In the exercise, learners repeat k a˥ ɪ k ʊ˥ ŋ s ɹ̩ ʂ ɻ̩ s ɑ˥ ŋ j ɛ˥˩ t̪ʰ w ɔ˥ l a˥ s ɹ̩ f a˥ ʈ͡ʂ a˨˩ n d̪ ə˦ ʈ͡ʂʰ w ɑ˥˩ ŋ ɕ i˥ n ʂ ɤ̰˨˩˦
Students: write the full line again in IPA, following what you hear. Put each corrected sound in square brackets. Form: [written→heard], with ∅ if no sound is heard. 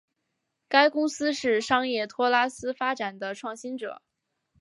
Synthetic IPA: k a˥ ɪ k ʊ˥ ŋ s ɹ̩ ʂ ɻ̩ [s→ʂ] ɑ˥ ŋ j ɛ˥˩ t̪ʰ w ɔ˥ l a˥ s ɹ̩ f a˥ ʈ͡ʂ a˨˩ n d̪ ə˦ ʈ͡ʂʰ w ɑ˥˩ ŋ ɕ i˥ n [ʂ→ʈ͡ʂ] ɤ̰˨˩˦